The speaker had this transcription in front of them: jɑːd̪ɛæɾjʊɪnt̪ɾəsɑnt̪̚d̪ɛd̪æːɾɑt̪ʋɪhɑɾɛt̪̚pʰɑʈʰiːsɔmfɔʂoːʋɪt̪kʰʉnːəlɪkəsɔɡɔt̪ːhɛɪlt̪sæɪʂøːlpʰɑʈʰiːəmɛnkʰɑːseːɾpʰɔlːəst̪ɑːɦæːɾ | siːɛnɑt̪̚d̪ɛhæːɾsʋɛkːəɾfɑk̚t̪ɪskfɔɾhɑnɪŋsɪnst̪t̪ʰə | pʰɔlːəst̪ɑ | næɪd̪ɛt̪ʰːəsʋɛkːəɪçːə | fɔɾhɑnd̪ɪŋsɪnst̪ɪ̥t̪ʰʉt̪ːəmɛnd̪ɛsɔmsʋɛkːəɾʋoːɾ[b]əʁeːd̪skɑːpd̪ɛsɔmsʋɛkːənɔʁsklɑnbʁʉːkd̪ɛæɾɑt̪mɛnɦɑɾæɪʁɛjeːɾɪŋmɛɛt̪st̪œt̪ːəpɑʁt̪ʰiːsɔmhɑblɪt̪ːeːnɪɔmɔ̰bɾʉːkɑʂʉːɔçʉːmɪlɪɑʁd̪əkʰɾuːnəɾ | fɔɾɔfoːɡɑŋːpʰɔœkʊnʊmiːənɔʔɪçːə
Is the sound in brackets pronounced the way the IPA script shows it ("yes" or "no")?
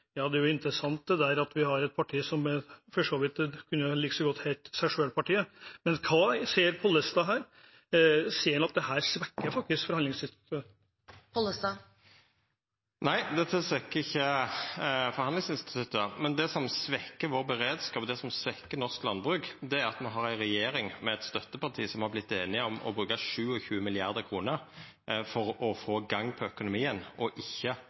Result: yes